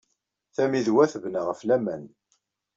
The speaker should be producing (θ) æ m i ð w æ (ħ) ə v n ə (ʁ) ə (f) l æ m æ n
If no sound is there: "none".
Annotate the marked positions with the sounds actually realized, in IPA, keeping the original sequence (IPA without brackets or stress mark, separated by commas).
θ, θ, ʁ, f